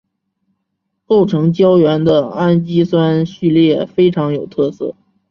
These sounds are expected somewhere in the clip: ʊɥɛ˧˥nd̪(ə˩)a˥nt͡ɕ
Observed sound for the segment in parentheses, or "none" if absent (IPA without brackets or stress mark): ə˧